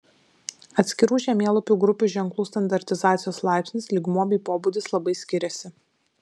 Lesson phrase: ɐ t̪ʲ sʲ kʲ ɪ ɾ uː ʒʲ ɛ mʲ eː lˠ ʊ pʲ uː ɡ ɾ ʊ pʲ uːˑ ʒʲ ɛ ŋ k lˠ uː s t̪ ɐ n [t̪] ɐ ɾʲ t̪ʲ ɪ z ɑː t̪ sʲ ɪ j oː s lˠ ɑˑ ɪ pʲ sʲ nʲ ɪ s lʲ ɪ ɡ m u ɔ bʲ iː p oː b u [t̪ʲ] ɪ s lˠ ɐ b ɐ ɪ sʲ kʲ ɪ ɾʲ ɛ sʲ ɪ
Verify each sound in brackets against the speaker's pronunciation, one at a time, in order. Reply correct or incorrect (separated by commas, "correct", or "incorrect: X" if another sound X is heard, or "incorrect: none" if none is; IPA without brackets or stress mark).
incorrect: d̪, incorrect: d̪ʲ